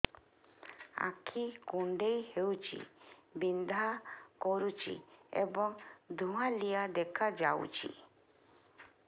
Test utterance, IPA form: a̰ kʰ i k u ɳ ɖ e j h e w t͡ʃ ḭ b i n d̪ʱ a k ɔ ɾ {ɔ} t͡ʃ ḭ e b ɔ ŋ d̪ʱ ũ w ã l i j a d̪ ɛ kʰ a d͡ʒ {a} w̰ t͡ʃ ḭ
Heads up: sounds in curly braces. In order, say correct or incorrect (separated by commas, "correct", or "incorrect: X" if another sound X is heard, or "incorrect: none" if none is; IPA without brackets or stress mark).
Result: incorrect: u, correct